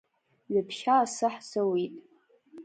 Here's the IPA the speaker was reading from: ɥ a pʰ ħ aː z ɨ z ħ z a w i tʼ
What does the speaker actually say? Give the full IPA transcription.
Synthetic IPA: ɥ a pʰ ʃ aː s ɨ ħ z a w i tʼ

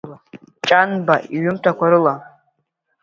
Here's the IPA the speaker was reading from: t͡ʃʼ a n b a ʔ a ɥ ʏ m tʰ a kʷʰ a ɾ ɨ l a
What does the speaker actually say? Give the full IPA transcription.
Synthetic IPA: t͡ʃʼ a n b a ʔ i ɥ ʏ m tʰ a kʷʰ a ɾ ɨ l a

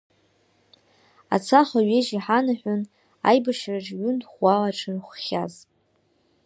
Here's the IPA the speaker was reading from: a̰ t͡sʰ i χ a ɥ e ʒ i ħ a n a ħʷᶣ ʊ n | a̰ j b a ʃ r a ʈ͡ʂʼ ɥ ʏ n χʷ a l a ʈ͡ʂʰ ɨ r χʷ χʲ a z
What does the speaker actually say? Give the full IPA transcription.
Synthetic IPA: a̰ t͡sʰ a χ a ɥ e ʒ i ħ a n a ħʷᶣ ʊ n | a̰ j b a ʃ r a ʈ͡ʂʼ ɥ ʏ n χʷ a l a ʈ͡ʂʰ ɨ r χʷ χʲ a z

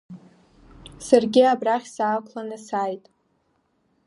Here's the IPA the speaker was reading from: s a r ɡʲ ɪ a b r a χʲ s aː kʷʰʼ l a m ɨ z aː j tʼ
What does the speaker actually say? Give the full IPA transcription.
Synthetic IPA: s a r ɡʲ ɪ a b r a χʲ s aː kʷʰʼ l a n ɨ s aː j tʼ

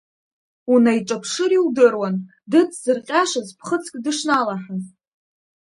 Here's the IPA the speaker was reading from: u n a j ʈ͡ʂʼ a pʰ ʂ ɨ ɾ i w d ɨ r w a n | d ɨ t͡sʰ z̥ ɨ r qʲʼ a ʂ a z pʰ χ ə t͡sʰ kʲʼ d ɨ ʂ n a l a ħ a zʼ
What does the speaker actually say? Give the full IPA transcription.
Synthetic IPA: u n a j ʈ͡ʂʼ a pʰ ʂ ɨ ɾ i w d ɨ r w a n | d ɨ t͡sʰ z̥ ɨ r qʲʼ a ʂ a z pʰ χ ə t͡sʰ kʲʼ d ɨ ʂ n a l a ħ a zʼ

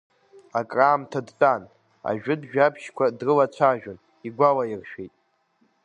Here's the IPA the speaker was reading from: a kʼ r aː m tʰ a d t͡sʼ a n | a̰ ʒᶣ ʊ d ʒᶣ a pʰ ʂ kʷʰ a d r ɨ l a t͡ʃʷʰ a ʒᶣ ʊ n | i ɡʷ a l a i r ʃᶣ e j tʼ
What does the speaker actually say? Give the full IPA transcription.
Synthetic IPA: a kʼ r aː m tʰ a d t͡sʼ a n | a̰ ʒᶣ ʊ d ʒᶣ a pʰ ʃ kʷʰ a d r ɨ l a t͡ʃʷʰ a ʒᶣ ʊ n | i ɡʷ a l a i r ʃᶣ e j tʼ

